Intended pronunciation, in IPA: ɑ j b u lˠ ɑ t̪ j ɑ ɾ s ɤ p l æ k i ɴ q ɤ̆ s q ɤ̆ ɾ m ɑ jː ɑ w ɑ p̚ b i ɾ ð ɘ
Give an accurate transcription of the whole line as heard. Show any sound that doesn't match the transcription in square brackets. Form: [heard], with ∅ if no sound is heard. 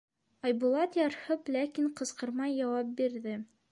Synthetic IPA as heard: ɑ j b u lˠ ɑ t̪ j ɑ ɾ [h] ɤ p l æ k i ɴ q ɤ̆ s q ɤ̆ ɾ m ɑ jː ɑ w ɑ p̚ b i ɾ ð ɘ